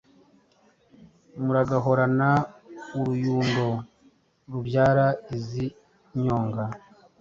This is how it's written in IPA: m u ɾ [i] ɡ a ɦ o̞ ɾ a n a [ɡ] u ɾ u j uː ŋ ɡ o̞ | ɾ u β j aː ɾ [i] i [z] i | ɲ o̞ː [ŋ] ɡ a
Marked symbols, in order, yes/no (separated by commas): no, no, no, yes, yes